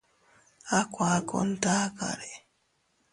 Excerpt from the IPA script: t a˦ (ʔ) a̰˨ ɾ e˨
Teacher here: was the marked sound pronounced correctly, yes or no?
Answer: no